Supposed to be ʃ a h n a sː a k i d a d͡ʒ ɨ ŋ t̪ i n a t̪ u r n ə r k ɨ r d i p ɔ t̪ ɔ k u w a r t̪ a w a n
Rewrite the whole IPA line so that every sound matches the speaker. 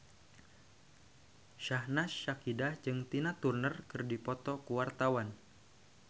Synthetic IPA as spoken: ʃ a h n a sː a k i d a d͡ʒ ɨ ŋ t̪ i n a t̪ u r n ə r k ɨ r d i p ɔ t̪ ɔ k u w a r t̪ a w a n